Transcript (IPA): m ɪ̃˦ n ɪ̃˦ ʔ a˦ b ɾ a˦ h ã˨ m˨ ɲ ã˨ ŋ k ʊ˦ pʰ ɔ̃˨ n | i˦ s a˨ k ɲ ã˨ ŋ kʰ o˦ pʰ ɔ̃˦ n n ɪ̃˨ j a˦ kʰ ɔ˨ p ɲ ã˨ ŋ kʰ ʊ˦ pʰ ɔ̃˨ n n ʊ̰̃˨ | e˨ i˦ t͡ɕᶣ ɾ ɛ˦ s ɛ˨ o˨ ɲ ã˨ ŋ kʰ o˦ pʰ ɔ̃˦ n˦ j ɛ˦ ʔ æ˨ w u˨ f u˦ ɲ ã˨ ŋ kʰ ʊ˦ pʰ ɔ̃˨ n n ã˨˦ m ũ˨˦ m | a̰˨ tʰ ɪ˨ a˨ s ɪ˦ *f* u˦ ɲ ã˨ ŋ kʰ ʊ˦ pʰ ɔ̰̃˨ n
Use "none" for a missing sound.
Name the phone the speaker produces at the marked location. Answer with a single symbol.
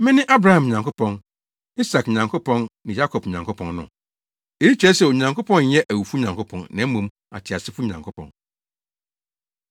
f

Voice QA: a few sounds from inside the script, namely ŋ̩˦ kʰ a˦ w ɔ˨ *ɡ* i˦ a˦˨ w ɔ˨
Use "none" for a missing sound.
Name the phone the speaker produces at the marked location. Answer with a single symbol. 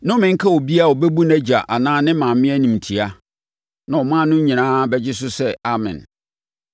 b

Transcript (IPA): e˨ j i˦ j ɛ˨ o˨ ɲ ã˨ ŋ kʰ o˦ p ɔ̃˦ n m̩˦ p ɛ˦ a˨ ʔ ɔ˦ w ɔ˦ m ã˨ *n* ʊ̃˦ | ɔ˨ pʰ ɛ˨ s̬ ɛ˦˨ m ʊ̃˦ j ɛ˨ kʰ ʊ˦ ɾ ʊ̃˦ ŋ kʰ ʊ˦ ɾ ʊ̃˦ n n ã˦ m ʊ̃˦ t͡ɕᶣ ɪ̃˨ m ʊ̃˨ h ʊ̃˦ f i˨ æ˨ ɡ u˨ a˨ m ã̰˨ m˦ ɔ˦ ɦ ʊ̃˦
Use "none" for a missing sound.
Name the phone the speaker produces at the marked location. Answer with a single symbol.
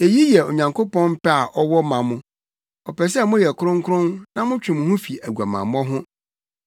m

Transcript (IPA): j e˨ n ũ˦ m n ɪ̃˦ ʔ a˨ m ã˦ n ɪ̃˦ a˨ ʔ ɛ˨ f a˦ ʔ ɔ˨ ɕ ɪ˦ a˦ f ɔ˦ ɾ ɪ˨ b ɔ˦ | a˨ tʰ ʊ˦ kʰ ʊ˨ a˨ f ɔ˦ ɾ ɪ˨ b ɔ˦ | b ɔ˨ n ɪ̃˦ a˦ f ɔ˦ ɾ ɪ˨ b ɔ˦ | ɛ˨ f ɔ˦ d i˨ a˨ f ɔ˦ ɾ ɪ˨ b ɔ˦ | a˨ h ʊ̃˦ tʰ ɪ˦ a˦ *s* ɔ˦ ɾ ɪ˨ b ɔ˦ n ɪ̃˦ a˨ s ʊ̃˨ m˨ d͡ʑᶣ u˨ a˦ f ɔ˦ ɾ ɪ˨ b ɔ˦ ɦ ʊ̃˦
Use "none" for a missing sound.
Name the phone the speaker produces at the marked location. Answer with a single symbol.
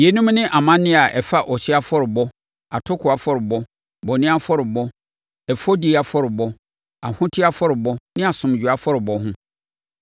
f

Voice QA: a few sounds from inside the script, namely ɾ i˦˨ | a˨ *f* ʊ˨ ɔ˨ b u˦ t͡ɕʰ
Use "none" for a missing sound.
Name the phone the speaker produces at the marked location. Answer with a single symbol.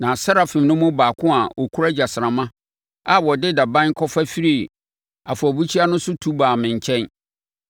f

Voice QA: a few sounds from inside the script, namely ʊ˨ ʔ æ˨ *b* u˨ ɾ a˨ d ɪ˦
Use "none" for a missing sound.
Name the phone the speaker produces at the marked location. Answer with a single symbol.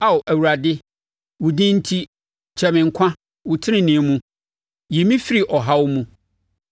w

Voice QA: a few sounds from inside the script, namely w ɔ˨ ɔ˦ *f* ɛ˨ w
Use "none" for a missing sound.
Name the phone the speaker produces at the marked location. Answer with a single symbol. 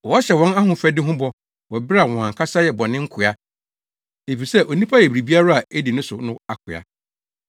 ɕ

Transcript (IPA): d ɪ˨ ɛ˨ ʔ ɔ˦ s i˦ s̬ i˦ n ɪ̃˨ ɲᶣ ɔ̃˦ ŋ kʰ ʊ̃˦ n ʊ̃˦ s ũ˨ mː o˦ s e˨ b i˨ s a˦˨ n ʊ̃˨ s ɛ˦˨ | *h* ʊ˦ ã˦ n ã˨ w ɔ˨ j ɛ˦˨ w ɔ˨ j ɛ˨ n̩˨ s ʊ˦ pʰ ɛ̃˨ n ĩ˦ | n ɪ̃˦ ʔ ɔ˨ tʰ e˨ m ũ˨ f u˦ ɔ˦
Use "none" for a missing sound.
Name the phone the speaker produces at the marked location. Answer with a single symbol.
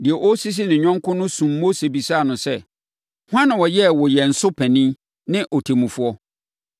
h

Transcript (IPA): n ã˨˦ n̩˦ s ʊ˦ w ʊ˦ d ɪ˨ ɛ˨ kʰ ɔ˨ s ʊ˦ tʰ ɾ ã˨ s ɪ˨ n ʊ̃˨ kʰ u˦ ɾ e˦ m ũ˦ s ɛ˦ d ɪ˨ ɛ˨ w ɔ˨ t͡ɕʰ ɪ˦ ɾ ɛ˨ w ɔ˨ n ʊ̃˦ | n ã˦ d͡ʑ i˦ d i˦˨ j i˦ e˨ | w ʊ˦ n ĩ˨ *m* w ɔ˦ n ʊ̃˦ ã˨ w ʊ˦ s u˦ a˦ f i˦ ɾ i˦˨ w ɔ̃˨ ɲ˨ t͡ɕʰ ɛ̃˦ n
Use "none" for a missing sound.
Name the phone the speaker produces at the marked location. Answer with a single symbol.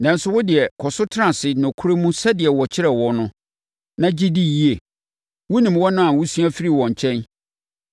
m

